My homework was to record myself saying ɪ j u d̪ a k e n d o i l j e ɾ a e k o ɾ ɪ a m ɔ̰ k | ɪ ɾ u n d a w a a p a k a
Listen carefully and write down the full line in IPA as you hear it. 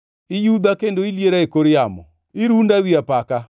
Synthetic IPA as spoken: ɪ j u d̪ a k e n d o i l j e ɾ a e k o ɾ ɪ a m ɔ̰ | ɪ ɾ u n d a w i a p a k a